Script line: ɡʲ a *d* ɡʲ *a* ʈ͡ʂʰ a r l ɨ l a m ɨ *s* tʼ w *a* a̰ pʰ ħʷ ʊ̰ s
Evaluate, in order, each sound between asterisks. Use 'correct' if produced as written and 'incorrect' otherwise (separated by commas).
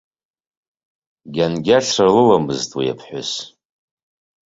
incorrect, correct, incorrect, incorrect